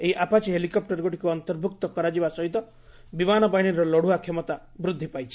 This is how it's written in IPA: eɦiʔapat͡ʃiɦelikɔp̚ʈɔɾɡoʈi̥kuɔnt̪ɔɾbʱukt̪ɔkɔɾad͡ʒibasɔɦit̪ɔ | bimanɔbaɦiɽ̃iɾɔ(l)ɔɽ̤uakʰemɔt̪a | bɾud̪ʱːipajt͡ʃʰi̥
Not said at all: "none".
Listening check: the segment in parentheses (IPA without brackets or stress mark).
l